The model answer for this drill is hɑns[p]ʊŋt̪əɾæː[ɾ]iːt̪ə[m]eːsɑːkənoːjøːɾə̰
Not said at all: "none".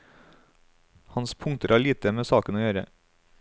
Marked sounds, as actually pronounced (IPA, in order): pʰ, ɭ, m

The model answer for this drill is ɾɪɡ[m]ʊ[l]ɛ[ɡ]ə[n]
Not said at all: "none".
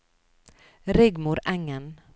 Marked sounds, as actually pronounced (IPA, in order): m, ɾ, ŋ, n

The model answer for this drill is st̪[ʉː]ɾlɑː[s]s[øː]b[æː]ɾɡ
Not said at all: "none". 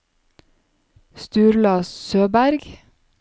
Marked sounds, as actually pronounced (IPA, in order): ʉː, s, øː, æ

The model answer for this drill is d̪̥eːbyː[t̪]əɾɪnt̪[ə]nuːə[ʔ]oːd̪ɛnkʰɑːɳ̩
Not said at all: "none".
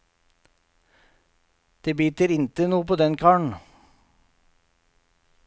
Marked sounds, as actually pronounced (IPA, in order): t̪, ə, p

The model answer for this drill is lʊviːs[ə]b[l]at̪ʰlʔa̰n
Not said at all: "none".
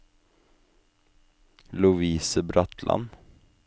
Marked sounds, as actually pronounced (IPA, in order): ə, ɾ

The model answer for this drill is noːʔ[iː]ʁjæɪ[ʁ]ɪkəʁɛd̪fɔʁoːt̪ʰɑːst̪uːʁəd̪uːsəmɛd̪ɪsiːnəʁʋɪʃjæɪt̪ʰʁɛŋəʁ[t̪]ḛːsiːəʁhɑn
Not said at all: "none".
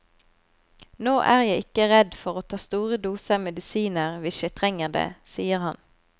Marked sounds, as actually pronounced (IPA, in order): æː, none, d̪

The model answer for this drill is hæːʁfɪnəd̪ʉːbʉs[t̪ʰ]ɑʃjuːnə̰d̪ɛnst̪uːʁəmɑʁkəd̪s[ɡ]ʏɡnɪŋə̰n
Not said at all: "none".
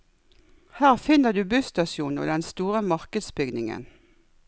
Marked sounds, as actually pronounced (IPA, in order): t̪, b

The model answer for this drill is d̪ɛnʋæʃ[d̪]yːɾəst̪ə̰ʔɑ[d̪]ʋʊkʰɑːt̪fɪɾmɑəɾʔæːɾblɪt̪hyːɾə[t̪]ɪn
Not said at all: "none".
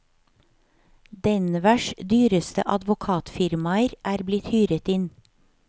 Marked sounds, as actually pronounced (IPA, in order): d̪, d̪, t̪

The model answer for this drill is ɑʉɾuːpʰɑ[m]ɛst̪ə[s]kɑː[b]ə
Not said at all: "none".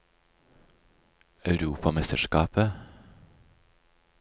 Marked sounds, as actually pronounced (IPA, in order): m, ʃ, p

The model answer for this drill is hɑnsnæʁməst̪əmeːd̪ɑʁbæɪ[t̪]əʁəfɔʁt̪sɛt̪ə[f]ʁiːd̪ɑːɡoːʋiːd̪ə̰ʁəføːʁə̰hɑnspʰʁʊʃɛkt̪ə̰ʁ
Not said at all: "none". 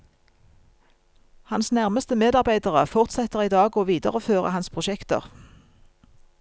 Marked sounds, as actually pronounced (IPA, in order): d̪, none

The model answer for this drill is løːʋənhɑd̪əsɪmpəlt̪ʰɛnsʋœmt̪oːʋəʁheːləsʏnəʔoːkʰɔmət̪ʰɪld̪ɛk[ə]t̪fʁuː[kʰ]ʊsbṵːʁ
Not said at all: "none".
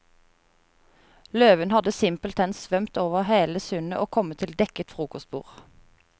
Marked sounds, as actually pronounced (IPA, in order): ə, k

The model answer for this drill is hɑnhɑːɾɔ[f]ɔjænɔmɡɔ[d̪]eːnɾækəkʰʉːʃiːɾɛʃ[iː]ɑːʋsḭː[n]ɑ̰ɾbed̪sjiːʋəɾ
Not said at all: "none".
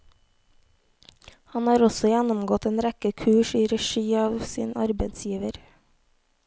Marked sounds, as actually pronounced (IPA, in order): s, t̪, iː, n

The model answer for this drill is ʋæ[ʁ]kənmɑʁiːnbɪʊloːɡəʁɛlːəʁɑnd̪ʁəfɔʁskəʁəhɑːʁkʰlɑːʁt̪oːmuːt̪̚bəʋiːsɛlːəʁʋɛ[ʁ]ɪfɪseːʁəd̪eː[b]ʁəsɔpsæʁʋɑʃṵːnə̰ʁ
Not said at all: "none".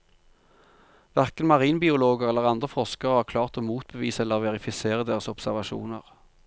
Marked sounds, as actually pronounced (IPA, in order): ʁ, ʁ, none

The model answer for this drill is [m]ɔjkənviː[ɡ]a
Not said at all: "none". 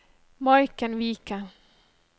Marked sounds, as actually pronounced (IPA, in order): m, k

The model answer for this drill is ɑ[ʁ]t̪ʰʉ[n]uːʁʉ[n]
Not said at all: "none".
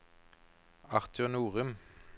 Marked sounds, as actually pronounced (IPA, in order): ʁ, n, m

